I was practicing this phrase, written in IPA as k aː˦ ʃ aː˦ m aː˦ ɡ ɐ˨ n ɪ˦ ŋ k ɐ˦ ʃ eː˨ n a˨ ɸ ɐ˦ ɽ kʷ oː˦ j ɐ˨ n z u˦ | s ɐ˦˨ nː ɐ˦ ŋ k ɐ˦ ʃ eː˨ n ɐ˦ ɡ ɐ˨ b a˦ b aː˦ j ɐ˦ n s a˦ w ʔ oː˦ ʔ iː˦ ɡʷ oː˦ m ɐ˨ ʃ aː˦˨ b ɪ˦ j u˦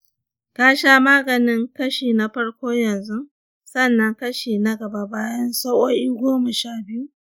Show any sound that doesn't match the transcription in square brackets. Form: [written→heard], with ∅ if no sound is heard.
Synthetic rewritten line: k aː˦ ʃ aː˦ m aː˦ ɡ ɐ˨ n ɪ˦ ŋ k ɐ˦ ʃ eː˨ n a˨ ɸ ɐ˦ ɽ kʷ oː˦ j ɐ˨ n z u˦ | s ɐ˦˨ nː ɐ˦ ŋ k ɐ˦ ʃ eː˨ n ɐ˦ ɡ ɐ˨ b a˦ b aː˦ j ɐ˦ n s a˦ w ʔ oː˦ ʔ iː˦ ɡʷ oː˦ m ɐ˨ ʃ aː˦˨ b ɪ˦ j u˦